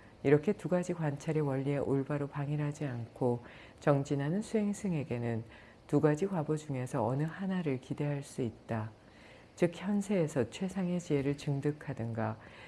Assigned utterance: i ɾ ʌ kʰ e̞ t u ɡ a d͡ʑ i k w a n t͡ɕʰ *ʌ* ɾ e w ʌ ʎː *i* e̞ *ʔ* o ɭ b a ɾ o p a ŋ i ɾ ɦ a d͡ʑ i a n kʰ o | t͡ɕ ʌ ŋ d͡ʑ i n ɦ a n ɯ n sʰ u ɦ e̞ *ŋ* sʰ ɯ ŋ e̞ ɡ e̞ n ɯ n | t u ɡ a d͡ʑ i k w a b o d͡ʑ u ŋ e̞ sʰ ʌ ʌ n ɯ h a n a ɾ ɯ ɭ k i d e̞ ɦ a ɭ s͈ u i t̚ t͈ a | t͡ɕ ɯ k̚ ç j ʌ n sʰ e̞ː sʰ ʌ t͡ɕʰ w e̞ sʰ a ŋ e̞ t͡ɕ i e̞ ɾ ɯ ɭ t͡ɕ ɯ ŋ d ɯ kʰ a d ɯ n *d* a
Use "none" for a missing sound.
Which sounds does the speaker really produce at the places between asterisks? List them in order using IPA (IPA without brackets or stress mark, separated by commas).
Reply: a, i, ʔ, ŋ, ɡ